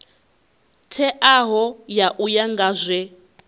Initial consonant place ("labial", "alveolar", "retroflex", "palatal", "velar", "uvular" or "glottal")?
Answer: alveolar